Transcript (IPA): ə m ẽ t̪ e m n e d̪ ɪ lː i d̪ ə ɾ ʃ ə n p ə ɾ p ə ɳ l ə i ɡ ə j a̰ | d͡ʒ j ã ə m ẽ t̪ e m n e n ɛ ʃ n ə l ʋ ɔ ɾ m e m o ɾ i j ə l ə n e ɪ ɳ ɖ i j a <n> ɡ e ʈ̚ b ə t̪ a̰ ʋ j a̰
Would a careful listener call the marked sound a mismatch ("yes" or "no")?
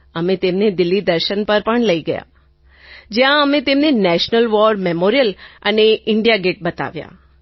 yes